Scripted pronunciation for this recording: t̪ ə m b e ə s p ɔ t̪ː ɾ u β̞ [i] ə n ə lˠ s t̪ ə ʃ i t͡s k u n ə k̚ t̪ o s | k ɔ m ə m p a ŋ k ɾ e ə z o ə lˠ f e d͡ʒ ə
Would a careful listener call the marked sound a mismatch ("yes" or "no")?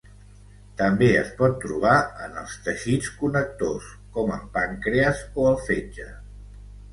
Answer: yes